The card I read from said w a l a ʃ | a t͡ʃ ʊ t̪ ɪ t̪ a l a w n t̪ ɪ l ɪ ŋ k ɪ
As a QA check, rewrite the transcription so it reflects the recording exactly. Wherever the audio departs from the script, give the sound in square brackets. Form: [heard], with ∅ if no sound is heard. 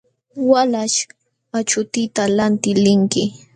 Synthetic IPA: w a l a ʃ | a t͡ʃ ʊ t̪ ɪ t̪ a l a [∅] n t̪ ɪ l ɪ ŋ k ɪ